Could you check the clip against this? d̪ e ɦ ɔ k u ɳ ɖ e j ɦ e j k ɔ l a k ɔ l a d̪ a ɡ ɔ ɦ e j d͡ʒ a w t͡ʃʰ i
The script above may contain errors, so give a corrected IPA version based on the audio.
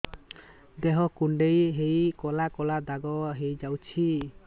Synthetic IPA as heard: d̪ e ɦ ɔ k u ɳ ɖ e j ɦ e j k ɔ l a k ɔ l a d̪ a ɡ ɔ ɦ e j d͡ʒ a w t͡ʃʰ i